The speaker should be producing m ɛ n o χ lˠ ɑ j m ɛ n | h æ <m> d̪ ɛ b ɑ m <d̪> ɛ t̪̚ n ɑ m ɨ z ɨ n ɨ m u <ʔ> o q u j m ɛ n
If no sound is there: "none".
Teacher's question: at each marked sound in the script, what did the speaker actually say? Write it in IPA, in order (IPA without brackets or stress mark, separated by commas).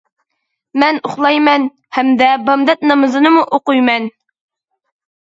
m, d̪, ʔ